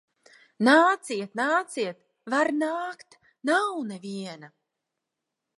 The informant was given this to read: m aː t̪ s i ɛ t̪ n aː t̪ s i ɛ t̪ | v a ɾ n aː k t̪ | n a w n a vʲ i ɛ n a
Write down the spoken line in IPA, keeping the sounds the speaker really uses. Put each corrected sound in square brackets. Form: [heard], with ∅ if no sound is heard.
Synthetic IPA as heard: [n] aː t̪ s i ɛ t̪ n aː t̪ s i ɛ t̪ | v a ɾ n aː k t̪ | n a w n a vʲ i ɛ n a